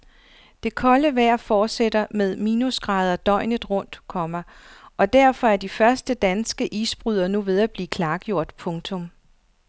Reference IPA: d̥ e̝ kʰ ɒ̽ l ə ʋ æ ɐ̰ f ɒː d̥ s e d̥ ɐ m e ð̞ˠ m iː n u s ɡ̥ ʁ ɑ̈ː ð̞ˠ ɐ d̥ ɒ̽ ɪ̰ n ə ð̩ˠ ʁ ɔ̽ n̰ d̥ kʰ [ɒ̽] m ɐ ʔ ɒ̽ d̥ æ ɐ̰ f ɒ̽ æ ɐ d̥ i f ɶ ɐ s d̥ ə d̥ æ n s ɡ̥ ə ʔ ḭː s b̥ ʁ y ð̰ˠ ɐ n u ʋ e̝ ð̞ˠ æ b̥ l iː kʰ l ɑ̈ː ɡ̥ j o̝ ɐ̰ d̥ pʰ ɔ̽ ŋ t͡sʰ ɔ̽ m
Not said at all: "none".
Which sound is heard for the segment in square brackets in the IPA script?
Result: ɒ̽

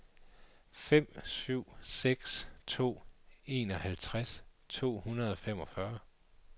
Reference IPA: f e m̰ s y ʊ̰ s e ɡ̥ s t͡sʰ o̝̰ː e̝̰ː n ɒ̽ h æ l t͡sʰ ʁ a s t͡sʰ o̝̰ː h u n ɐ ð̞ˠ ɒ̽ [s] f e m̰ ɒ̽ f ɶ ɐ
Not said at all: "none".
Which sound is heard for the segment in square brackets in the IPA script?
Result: none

